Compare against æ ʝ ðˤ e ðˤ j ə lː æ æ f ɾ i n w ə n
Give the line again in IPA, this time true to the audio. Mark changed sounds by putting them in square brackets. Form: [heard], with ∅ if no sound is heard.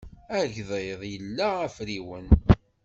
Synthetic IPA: æ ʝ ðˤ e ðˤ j ə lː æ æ f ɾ i [∅] w ə n